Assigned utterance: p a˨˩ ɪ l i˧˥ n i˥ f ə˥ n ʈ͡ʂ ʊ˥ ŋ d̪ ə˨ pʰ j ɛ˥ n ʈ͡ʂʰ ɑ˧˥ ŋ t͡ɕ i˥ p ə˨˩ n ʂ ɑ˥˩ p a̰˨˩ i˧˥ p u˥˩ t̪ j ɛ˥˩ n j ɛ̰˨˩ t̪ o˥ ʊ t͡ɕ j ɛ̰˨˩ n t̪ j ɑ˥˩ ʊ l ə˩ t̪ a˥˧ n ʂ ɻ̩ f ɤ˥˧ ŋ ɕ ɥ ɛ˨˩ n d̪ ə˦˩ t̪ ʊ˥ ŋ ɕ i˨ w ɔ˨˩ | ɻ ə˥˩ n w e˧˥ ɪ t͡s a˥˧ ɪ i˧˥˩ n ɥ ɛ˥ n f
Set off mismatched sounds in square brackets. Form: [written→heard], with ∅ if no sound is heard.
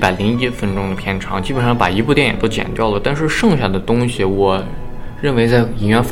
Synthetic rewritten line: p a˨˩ ɪ l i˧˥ [n→ŋ] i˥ f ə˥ n ʈ͡ʂ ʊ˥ ŋ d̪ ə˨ pʰ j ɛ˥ n ʈ͡ʂʰ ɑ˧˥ ŋ t͡ɕ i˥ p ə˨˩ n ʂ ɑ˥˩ p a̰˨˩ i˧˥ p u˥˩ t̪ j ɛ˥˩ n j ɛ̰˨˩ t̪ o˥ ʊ t͡ɕ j ɛ̰˨˩ n t̪ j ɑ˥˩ ʊ l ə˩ t̪ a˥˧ n ʂ ɻ̩ [f→ʂ] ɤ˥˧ ŋ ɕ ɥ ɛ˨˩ n d̪ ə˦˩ t̪ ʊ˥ ŋ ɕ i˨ w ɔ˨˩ | ɻ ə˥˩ n w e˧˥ ɪ t͡s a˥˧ ɪ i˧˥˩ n ɥ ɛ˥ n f